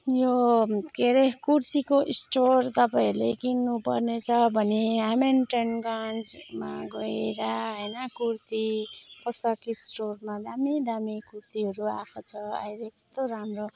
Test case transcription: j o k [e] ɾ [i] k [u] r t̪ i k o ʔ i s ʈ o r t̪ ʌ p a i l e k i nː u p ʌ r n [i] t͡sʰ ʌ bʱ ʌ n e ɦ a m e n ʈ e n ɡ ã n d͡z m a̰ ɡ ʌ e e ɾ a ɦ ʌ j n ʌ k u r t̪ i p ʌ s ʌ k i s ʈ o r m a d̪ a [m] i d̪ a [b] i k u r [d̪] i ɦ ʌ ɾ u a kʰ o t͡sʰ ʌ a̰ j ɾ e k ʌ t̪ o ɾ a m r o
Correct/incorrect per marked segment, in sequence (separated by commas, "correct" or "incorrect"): correct, incorrect, correct, incorrect, correct, incorrect, incorrect